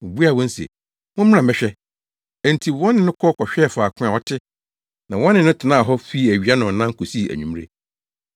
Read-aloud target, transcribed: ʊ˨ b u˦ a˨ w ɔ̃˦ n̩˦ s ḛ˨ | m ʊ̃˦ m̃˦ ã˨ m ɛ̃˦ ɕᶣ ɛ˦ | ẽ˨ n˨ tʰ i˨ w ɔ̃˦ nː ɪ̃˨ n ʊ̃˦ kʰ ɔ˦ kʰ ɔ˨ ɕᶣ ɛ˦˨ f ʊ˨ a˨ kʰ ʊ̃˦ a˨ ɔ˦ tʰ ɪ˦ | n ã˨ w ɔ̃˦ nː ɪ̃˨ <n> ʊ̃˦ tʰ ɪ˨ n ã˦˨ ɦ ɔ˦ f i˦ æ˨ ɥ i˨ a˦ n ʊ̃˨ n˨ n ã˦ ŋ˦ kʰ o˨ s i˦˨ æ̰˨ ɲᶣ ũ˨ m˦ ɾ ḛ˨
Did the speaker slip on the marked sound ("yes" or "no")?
no